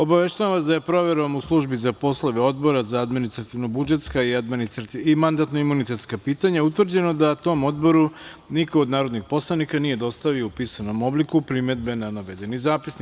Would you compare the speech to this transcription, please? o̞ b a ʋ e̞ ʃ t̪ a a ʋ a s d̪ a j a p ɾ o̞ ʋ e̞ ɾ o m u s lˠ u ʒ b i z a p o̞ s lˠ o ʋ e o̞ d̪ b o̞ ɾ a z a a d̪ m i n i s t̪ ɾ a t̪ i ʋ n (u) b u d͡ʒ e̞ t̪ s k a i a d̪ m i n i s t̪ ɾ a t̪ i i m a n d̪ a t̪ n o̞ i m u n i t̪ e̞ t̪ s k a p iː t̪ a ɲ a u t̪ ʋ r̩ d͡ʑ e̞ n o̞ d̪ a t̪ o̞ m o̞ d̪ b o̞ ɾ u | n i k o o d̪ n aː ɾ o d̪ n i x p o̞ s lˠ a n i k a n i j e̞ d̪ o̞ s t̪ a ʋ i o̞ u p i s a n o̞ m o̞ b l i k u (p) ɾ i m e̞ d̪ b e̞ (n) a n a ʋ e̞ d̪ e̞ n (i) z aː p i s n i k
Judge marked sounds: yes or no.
no, yes, yes, yes

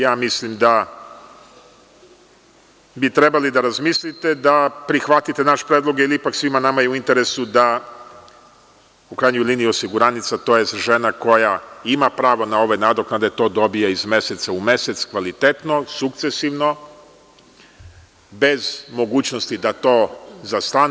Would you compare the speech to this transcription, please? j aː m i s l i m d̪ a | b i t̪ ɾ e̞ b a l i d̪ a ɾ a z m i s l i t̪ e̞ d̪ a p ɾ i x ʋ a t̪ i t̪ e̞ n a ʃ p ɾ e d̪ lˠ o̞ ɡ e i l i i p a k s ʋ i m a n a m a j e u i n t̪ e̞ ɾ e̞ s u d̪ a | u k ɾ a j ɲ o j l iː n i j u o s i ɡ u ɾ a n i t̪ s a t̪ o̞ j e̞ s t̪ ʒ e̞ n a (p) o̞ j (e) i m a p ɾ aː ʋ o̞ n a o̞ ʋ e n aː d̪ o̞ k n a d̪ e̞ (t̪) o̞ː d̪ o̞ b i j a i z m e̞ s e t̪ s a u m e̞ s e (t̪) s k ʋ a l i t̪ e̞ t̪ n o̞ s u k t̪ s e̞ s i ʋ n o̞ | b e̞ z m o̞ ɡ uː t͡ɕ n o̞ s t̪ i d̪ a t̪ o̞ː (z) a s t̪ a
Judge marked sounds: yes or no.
no, no, yes, yes, yes

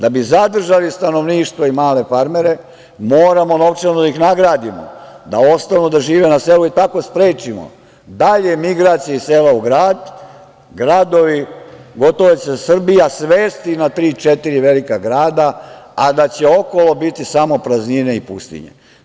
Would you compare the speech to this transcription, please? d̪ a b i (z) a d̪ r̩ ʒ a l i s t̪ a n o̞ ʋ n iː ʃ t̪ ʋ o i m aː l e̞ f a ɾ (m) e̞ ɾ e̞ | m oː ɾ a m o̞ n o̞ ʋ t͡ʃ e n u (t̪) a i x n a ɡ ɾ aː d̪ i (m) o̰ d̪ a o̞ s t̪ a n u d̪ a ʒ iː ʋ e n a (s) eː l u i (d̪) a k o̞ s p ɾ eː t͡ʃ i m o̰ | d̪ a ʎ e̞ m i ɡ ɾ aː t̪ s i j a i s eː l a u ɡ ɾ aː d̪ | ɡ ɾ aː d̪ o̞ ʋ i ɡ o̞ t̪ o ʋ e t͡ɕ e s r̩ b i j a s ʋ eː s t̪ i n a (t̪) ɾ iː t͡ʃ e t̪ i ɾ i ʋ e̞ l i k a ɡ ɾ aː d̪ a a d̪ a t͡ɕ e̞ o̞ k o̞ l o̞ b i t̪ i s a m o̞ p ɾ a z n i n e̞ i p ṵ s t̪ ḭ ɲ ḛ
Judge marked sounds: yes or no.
yes, yes, no, yes, yes, no, yes

